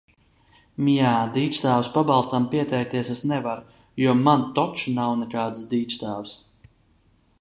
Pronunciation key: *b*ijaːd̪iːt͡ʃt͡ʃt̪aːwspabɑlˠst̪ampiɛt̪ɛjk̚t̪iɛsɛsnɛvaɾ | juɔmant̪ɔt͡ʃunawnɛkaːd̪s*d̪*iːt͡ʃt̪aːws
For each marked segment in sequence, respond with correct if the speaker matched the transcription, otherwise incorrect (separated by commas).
incorrect, correct